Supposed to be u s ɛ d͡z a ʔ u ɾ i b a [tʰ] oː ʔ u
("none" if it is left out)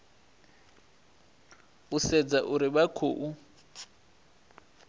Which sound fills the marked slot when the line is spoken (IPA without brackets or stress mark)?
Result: kʰ